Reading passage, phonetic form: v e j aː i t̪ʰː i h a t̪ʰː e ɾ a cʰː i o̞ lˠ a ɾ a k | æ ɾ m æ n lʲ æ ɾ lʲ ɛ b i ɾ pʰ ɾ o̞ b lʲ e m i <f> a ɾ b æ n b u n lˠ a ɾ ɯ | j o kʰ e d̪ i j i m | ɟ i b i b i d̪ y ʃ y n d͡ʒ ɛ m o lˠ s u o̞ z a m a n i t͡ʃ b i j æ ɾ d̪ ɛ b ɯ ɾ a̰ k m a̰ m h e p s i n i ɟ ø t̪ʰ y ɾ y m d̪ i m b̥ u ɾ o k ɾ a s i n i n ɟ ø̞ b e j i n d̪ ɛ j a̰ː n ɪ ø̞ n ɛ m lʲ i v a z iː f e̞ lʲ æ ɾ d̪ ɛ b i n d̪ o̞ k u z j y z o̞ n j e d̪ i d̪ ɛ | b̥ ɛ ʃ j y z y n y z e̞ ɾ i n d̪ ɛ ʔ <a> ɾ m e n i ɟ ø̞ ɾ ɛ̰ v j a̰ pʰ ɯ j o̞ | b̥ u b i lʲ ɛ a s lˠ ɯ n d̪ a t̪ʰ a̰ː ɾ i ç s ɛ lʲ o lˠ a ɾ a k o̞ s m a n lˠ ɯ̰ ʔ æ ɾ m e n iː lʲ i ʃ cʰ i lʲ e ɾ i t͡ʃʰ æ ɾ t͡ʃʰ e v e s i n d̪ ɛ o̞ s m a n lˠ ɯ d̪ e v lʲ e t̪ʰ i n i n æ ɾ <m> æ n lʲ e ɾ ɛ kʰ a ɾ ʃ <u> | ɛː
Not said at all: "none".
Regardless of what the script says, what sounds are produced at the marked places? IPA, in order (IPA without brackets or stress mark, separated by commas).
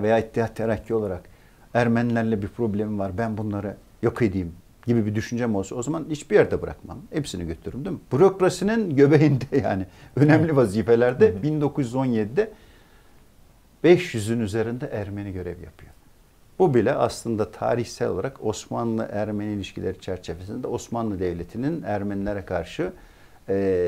v, æ, m, ɯ